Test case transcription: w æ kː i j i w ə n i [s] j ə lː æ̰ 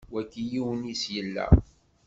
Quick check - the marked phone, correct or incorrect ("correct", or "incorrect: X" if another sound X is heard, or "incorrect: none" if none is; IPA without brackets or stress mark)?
correct